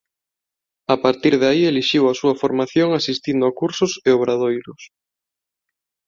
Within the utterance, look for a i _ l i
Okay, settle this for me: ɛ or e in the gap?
e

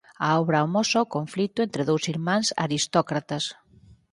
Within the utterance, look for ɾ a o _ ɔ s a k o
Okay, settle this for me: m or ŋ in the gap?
m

